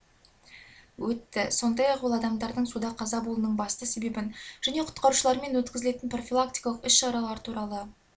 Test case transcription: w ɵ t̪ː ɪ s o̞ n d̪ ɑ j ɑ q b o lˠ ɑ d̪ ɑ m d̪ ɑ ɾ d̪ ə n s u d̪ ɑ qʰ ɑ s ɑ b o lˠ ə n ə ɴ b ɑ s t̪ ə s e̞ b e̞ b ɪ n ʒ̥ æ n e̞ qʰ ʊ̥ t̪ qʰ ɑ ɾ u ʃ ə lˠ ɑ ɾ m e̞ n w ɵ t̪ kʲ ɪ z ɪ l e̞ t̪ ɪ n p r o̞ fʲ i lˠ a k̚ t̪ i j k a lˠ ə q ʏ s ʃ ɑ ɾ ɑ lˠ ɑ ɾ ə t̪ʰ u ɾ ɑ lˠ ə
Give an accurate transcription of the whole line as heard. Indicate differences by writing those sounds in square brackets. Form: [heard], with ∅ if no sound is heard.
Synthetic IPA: w ɵ t̪ː ɪ s o̞ n d̪ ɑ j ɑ q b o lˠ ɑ d̪ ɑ m d̪ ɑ ɾ d̪ ə [ɴ] s u d̪ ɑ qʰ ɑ [z] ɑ b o lˠ ə n ə ɴ b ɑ s t̪ ə s e̞ b e̞ b ɪ n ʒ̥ æ n e̞ qʰ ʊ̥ t̪ [q] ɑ ɾ u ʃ ə lˠ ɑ ɾ m e̞ n w ɵ t̪ kʲ ɪ z ɪ l e̞ t̪ ɪ n p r o̞ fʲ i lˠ a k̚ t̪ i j k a lˠ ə q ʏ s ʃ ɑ ɾ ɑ lˠ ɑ ɾ ə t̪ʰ u ɾ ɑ lˠ ə